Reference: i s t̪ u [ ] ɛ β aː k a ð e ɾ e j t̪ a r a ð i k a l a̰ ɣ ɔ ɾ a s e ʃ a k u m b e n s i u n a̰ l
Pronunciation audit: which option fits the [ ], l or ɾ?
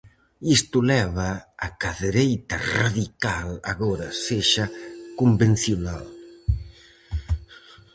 l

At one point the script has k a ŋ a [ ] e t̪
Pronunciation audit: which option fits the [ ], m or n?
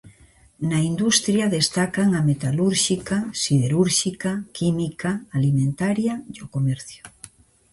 m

